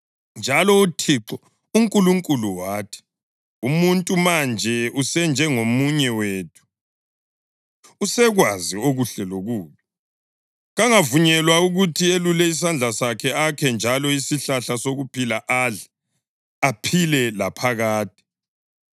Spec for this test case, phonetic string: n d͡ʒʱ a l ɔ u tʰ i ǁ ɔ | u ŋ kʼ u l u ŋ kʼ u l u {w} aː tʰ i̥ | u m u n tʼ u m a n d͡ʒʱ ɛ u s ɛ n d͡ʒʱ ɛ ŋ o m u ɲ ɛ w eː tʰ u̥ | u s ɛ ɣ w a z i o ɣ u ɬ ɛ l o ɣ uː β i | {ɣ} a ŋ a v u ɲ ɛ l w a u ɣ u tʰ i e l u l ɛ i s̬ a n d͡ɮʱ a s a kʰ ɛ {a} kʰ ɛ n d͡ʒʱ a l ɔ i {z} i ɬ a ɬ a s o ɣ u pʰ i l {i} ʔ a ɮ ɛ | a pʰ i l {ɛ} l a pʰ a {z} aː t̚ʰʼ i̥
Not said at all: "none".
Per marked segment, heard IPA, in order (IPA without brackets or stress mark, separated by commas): w, ɣ, a, s, a, ɛ, ɣ